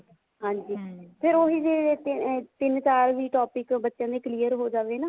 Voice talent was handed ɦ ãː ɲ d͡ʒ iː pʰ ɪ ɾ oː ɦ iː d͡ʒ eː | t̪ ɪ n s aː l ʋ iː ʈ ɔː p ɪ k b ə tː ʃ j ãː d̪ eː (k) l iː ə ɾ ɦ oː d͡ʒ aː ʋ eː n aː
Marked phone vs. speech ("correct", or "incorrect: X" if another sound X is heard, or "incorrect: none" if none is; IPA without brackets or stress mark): correct